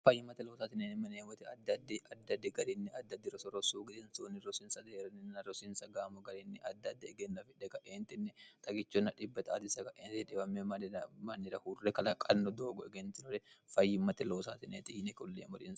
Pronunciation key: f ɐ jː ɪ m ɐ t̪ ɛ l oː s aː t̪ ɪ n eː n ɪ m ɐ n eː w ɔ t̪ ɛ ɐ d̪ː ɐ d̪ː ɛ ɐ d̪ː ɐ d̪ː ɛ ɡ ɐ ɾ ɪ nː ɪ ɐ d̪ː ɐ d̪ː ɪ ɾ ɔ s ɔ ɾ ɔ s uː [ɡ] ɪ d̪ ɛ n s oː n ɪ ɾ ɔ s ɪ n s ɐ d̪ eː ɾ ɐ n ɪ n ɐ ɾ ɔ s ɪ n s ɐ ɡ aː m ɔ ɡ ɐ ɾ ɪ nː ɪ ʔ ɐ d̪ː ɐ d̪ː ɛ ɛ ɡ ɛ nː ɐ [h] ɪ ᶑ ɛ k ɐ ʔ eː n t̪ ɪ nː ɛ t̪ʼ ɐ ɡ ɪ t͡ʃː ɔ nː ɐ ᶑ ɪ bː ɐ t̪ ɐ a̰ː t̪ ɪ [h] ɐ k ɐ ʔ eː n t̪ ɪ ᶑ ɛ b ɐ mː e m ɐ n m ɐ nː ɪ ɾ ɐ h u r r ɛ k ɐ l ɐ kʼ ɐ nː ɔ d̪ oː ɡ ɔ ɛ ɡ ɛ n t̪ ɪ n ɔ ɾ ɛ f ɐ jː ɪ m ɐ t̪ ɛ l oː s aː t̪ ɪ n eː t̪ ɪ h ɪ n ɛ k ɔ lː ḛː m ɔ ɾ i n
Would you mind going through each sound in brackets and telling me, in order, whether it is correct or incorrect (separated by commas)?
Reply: correct, incorrect, incorrect